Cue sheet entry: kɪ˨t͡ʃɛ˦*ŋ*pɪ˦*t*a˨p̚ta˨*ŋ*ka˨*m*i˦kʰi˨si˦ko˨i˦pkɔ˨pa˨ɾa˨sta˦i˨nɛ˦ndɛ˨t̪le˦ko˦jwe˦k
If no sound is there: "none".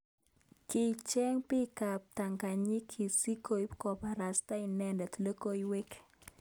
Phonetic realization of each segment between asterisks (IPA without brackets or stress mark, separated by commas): ŋ, k, ŋ, ɲ